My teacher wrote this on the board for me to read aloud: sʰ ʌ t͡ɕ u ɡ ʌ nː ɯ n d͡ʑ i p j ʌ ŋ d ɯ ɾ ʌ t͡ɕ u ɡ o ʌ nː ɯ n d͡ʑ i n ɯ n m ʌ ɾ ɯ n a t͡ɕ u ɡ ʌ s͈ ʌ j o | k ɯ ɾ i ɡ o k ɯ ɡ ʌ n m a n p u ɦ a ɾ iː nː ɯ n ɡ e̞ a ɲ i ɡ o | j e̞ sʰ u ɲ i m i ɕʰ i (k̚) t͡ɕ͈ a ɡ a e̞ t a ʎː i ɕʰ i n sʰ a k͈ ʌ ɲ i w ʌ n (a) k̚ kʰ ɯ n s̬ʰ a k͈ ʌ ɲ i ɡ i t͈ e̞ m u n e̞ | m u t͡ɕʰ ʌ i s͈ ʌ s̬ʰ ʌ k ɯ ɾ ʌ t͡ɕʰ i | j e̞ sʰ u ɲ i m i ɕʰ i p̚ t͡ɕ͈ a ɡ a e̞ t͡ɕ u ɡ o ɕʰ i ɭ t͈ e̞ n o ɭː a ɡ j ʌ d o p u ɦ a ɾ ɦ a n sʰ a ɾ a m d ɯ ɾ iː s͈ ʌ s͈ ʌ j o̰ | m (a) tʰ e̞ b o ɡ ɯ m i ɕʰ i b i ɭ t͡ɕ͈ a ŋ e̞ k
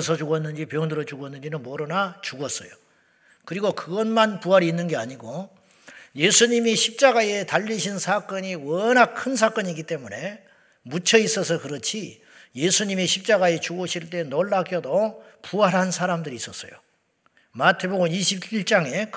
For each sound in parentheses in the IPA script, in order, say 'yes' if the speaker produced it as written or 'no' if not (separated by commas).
no, yes, yes